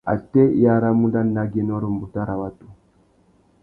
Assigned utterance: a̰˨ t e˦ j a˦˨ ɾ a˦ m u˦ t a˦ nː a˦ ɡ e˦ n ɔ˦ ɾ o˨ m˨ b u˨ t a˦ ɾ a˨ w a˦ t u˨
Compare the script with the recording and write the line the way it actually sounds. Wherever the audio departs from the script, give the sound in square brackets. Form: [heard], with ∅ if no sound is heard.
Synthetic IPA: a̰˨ t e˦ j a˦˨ ɾ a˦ m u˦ [d] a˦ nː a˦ ɡ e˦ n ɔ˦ ɾ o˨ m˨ b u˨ t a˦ ɾ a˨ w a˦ t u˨